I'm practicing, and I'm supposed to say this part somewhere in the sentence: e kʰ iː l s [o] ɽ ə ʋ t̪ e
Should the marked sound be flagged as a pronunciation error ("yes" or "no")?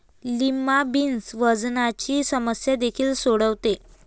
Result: no